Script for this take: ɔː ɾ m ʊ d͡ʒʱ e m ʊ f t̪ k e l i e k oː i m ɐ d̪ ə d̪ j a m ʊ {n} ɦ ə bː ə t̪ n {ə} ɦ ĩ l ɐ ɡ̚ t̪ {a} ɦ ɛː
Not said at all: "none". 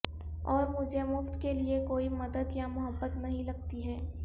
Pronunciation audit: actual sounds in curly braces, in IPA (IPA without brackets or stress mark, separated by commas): none, ɐ, i